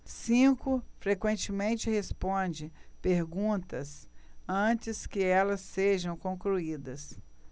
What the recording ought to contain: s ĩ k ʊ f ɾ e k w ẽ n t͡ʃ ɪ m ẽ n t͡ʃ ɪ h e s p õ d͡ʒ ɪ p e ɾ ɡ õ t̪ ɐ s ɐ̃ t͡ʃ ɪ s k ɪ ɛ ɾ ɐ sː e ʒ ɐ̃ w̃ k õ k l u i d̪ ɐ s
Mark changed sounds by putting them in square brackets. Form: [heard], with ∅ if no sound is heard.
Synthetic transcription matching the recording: s ĩ k ʊ f ɾ e k w ẽ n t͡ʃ ɪ m ẽ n t͡ʃ ɪ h e s p õ d͡ʒ ɪ p e ɾ ɡ [ũ] t̪ ɐ s ɐ̃ t͡ʃ ɪ s k ɪ ɛ [l] ɐ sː e ʒ ɐ̃ w̃ k õ k l u i d̪ ɐ s